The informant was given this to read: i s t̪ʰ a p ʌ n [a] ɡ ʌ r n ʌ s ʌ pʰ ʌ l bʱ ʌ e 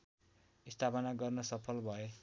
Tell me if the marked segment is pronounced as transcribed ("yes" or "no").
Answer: yes